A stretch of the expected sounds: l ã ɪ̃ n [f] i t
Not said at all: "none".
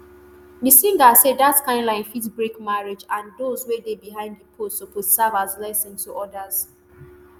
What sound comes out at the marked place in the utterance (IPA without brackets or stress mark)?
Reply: f